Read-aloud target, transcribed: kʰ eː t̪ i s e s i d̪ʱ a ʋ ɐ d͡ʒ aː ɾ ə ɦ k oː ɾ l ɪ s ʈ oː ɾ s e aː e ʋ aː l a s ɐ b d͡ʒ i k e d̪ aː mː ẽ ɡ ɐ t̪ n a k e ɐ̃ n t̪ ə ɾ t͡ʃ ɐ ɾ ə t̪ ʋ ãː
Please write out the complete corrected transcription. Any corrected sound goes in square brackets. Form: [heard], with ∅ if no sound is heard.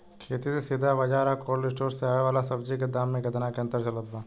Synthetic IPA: kʰ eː t̪ i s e s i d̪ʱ a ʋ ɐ d͡ʒ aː ɾ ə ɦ k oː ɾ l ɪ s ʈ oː ɾ s e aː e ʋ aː l a s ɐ b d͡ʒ i k e d̪ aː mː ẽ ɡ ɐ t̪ n a k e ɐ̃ n t̪ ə ɾ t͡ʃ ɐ [l] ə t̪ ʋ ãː